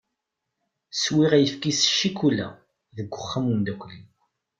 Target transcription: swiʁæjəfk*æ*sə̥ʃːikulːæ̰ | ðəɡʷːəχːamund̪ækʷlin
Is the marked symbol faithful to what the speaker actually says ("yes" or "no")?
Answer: no